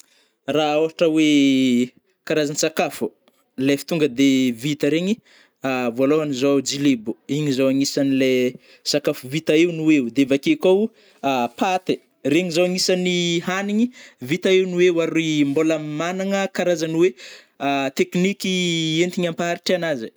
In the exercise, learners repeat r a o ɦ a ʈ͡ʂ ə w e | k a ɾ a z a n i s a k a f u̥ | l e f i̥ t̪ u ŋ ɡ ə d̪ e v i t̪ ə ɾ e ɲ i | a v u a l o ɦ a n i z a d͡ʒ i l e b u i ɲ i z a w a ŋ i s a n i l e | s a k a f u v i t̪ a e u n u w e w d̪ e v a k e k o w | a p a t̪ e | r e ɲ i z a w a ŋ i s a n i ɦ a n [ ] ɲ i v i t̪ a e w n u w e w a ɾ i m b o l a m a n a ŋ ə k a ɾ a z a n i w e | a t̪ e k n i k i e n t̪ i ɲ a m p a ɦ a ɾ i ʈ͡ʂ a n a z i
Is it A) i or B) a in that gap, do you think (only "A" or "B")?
A